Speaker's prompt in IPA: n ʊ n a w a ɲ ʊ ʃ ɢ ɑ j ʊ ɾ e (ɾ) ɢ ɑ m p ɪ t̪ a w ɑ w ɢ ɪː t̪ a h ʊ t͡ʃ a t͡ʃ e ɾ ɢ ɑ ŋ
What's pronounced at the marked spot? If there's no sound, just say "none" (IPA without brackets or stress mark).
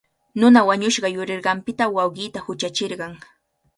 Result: ɾ